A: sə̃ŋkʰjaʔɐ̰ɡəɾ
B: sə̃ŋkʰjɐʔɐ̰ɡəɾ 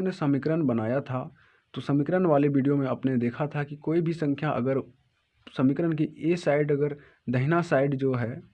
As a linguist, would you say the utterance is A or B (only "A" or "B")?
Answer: A